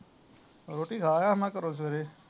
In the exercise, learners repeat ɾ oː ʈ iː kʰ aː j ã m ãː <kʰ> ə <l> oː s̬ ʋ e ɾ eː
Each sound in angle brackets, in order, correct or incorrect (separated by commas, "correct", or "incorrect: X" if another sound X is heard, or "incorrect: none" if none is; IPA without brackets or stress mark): incorrect: k, incorrect: ɾ